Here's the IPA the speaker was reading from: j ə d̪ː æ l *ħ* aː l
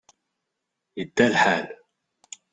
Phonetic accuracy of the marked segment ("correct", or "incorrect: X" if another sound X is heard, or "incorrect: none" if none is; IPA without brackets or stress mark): correct